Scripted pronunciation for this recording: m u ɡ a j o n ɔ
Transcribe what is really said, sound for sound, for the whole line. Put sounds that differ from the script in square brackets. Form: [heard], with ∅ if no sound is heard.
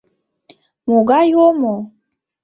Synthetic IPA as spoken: m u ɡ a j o [m] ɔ